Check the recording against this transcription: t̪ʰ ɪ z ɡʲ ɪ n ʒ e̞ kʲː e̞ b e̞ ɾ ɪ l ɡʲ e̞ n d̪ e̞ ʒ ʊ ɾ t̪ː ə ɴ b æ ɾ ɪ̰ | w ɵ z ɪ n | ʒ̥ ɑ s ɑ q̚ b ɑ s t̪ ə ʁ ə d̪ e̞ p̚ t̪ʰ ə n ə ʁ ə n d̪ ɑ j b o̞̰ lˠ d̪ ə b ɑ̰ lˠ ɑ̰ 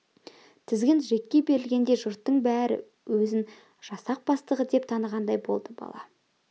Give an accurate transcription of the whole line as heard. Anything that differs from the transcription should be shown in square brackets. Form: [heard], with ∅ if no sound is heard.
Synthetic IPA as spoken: t̪ʰ ɪ z ɡʲ ɪ n ʒ e̞ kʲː e̞ b e̞ ɾ ɪ l ɡʲ e̞ n d̪ e̞ ʒ ʊ ɾ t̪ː ə ɴ b æ ɾ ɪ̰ | w ɵ z ɪ n | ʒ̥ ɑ s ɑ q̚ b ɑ s t̪ ə ʁ ə d̪ e̞ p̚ t̪ʰ [ɑ] n ə ʁ [ɑ] n d̪ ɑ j b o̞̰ lˠ d̪ ə b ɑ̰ lˠ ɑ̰